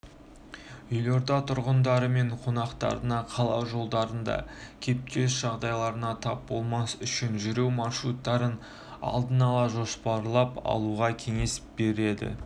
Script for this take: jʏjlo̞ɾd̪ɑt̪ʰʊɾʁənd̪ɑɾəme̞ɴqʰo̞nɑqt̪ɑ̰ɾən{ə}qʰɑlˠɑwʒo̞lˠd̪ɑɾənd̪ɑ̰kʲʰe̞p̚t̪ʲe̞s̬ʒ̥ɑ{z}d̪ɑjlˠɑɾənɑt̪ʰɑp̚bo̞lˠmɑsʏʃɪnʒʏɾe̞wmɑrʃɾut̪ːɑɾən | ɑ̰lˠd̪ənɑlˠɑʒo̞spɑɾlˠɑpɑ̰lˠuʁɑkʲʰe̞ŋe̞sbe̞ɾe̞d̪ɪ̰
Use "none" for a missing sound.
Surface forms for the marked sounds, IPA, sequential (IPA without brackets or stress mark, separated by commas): ɑ, ʁ